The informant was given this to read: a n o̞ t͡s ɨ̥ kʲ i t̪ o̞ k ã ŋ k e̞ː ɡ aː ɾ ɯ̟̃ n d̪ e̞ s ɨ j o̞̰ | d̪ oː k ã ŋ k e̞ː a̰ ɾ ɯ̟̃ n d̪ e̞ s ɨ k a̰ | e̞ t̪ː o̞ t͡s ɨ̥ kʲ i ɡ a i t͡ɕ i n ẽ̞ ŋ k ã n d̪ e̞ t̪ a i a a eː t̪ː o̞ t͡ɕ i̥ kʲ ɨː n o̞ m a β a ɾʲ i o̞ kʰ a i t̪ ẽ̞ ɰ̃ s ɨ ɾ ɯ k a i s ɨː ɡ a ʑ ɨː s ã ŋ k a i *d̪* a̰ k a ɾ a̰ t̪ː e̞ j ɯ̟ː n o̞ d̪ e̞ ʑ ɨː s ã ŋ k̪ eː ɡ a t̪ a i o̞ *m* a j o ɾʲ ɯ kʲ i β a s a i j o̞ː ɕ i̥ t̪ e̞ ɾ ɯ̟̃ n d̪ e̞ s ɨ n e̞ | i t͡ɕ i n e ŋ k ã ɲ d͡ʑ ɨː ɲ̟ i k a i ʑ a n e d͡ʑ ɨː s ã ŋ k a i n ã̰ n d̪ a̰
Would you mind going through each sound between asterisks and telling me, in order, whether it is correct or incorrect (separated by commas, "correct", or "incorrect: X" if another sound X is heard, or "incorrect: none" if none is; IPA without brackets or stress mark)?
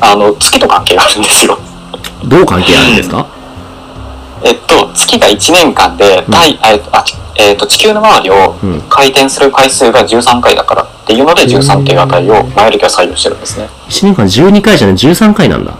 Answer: correct, correct